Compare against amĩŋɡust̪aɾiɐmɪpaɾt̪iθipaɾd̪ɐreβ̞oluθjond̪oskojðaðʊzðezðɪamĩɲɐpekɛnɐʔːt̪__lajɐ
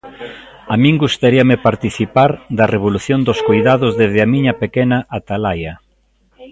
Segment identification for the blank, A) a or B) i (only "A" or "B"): A